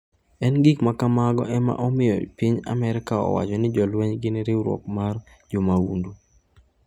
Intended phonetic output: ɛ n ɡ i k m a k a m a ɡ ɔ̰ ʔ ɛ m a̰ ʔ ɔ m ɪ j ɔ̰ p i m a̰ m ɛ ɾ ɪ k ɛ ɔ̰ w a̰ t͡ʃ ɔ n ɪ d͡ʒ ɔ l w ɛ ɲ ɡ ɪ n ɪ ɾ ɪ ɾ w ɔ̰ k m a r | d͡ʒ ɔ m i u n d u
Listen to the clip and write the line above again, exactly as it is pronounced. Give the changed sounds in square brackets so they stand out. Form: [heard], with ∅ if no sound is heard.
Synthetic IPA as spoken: ɛ n ɡ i k m a k a m a ɡ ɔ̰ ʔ ɛ m a̰ ʔ ɔ m ɪ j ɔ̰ p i [ɲ] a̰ m ɛ ɾ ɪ k [a] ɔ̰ w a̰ t͡ʃ ɔ n ɪ d͡ʒ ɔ l w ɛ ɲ ɡ ɪ n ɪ ɾ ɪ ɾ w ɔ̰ k m a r | d͡ʒ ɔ m [a] u n d u